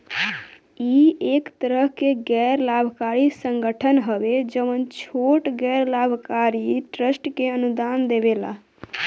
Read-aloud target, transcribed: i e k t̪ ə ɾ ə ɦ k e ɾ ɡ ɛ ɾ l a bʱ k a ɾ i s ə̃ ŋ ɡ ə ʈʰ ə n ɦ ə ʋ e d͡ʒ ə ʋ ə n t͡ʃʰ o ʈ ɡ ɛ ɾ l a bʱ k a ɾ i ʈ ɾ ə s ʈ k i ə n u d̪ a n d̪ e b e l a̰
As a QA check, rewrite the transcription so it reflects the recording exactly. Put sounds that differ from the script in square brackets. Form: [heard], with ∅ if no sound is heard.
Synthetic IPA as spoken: i e k t̪ ə ɾ ə ɦ k e [∅] ɡ ɛ ɾ l a bʱ k a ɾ i s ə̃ ŋ ɡ ə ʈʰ ə n ɦ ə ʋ e d͡ʒ ə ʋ ə n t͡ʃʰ o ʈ ɡ ɛ ɾ l a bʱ k a ɾ i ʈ ɾ ə s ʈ k [e] ə n u d̪ a n d̪ e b e l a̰